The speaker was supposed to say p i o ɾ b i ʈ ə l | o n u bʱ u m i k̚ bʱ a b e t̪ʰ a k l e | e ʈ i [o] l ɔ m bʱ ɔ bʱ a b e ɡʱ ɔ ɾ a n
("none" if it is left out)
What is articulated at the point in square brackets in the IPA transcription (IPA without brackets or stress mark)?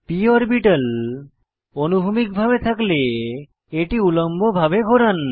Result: u